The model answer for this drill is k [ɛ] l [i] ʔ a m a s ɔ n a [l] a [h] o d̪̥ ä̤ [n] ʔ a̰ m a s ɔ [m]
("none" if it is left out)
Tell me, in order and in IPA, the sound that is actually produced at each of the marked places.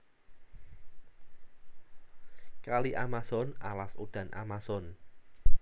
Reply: a, i, l, s, n, n

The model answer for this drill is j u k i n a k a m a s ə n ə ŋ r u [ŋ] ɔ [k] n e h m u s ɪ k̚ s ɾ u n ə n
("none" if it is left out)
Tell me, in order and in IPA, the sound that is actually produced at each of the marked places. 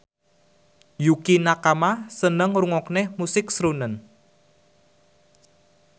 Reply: ŋ, k

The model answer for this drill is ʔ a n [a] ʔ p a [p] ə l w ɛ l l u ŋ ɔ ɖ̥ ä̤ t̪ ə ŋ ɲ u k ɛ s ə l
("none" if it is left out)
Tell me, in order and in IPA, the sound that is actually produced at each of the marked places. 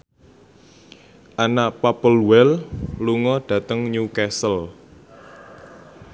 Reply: a, p

